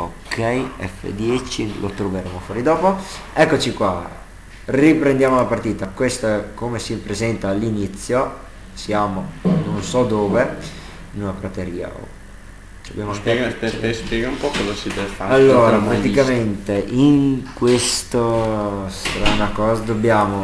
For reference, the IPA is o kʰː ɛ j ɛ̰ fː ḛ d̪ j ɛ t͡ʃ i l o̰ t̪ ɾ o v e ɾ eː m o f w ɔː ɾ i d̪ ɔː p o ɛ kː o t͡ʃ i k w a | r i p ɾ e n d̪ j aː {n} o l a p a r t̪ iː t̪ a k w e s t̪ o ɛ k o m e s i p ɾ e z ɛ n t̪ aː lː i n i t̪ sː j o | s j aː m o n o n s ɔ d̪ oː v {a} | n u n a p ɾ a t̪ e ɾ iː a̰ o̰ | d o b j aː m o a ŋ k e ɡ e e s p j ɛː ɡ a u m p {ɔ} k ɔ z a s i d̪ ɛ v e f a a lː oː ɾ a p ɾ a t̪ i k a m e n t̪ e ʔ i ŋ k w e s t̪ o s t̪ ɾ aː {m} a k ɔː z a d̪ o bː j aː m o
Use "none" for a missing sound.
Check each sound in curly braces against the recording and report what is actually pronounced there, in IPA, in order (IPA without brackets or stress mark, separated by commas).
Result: m, e, ɔ, n